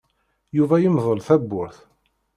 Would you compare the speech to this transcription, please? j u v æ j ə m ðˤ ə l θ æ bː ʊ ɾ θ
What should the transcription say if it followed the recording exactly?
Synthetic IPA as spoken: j u v æ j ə m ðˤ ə l θ æ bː ʊ ɾ θ